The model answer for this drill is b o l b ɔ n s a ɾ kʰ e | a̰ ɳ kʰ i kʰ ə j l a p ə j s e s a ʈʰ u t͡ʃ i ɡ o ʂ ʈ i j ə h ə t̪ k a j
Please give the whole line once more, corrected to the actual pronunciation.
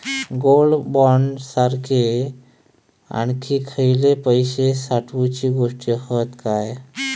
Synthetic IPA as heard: ɡ o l b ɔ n s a ɾ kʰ e | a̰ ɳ kʰ i kʰ ə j l e p ə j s e s a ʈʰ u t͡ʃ i ɡ o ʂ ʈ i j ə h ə t̪ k a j